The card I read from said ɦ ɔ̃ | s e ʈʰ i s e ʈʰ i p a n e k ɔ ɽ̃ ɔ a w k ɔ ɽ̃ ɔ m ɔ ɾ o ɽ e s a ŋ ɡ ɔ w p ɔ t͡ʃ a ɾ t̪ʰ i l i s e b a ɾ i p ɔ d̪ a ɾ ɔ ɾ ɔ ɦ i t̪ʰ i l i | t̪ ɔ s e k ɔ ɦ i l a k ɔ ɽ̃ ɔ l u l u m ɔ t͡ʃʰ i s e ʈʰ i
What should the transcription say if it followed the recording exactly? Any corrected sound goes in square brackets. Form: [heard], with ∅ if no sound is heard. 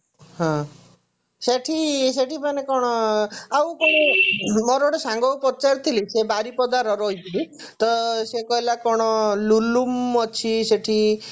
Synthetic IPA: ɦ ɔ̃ | s e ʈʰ i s e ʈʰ i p a n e k ɔ ɽ̃ ɔ a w k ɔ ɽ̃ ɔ m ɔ ɾ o ɽ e s a ŋ ɡ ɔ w p ɔ t͡ʃ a ɾ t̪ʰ i l i s e b a ɾ i p ɔ d̪ a ɾ ɔ ɾ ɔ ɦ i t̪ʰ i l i | t̪ ɔ s e k ɔ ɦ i l a k ɔ ɽ̃ ɔ l u l u m ɔ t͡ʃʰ i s e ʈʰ i